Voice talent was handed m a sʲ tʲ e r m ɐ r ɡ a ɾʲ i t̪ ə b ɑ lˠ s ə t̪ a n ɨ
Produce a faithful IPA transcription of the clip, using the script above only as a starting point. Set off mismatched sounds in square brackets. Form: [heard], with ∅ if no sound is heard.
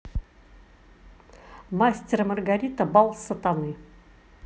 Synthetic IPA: m a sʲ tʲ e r m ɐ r ɡ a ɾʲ i t̪ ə b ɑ lˠ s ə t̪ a n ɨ